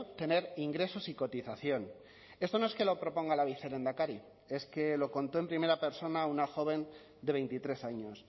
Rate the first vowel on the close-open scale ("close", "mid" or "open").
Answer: mid